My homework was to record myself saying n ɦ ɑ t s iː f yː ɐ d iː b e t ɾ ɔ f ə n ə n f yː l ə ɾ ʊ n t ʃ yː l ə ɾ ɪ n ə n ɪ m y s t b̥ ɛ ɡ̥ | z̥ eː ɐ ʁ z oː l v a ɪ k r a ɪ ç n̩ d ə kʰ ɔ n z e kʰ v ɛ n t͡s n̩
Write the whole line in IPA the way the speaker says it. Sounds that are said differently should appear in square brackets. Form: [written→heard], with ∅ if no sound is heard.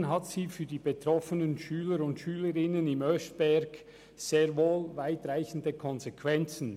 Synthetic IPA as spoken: n ɦ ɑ t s iː f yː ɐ d iː b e t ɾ ɔ f ə n ə n [f→ʃ] yː l ə ɾ ʊ n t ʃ yː l ə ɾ ɪ n ə n ɪ m [y→œ] s t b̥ ɛ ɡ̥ | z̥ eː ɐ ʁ [z→v] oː l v a ɪ [k→t] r a ɪ ç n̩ d ə kʰ ɔ n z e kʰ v ɛ n t͡s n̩